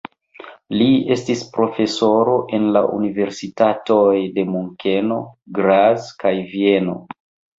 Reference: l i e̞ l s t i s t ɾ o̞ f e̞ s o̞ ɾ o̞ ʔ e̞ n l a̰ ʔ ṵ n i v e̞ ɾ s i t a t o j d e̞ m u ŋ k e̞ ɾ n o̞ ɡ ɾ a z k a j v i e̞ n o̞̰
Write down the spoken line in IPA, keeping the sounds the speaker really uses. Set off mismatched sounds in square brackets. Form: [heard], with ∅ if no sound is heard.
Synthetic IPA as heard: l i e̞ [∅] s t i s [p] ɾ o̞ f e̞ s o̞ ɾ o̞ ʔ e̞ n l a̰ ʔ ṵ n i v e̞ ɾ s i t a t o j d e̞ m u ŋ k e̞ [∅] n o̞ ɡ ɾ a z k a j v i e̞ n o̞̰